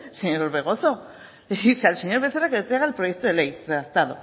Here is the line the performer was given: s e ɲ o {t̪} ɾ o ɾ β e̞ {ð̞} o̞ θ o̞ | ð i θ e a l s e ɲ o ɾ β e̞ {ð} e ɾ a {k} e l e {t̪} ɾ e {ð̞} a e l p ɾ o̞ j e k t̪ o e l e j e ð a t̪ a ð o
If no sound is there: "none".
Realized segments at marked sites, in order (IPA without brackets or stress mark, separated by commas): none, ɣ̞, θ, k, t̪, ɣ̞